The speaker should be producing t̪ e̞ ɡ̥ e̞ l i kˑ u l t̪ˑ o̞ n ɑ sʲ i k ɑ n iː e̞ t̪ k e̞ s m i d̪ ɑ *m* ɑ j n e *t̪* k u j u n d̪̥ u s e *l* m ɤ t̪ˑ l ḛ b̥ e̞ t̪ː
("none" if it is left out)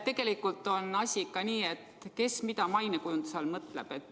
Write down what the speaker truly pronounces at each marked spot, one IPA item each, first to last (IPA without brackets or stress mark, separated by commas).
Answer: m, none, l